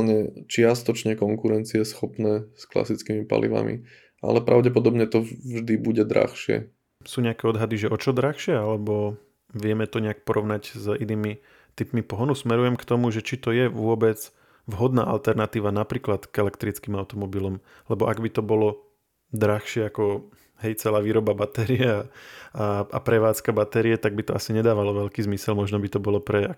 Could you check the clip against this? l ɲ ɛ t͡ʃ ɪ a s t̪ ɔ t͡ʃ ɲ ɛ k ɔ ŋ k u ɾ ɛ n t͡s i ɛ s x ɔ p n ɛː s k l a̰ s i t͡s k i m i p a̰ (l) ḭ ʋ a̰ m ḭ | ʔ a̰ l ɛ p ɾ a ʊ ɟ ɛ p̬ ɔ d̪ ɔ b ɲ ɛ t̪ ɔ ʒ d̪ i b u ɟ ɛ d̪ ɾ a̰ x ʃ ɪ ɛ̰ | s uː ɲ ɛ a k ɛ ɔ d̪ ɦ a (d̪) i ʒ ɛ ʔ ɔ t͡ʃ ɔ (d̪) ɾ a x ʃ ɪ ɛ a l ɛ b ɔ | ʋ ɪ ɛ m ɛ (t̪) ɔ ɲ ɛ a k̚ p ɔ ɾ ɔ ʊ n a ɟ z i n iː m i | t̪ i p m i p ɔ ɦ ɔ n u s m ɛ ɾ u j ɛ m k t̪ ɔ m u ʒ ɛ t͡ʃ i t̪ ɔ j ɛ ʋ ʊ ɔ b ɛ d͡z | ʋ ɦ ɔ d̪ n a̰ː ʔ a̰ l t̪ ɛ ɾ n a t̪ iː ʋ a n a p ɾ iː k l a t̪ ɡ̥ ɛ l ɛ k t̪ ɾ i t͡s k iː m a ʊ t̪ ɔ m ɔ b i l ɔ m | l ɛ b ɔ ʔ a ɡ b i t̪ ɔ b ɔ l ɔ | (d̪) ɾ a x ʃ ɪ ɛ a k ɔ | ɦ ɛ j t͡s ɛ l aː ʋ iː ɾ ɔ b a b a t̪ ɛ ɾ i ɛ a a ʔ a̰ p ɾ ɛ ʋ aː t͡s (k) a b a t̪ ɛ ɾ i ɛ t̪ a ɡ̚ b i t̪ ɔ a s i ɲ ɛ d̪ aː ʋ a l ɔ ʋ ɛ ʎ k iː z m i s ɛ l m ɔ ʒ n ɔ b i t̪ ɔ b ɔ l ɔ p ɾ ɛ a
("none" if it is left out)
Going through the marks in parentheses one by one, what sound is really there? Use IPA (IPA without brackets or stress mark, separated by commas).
l, d̪, d̪, t̪, d̪, k